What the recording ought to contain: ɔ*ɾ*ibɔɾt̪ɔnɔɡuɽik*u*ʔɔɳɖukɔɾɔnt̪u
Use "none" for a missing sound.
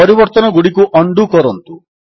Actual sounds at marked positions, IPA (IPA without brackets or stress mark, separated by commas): ɾ, u